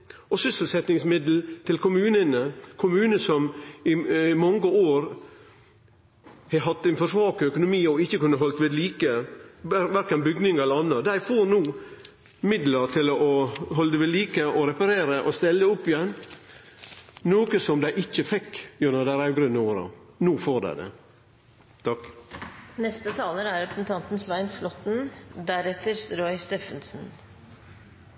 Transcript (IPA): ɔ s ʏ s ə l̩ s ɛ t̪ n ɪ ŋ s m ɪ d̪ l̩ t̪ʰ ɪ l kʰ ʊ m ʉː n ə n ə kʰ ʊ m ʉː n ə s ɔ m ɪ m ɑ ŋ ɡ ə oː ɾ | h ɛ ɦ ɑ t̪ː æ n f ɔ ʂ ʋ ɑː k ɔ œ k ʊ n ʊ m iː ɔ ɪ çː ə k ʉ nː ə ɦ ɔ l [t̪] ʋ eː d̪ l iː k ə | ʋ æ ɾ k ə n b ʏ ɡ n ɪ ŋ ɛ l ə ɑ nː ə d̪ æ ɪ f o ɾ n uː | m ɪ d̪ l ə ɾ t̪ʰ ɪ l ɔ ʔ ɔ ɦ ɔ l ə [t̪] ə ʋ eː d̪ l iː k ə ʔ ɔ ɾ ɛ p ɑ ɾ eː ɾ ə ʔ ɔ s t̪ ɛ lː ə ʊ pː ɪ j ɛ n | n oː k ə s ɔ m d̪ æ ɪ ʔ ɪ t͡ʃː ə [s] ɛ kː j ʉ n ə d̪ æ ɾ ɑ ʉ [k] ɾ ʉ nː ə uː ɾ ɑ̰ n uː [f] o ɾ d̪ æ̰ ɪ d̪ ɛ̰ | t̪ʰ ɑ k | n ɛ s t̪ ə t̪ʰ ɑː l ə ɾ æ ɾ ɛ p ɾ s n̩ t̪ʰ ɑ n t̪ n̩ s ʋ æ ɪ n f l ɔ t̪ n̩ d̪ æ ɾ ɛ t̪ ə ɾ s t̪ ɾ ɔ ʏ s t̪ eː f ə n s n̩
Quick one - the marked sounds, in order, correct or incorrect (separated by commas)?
correct, incorrect, incorrect, incorrect, correct